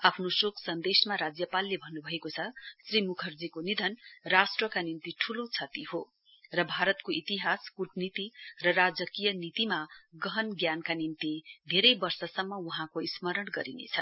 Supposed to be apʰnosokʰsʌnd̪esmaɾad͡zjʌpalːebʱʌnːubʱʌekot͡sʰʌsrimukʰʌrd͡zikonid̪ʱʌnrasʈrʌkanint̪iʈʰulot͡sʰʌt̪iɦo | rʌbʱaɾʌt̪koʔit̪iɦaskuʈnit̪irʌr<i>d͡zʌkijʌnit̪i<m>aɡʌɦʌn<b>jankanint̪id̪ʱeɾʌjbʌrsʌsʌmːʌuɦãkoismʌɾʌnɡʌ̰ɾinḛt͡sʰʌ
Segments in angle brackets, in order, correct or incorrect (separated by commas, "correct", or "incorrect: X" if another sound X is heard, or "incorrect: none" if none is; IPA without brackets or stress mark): incorrect: a, correct, incorrect: ɡ